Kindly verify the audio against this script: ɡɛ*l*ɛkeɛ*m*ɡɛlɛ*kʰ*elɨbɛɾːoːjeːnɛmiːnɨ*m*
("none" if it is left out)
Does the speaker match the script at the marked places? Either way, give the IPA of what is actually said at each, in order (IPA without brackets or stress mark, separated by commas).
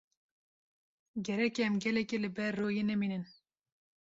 ɾ, m, k, n